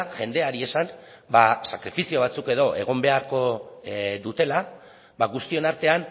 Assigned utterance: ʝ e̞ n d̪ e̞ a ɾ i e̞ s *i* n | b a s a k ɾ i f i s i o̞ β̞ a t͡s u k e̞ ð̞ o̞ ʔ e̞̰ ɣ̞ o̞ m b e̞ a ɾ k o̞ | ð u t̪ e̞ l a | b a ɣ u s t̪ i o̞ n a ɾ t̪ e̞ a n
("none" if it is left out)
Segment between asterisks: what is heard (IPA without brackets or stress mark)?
a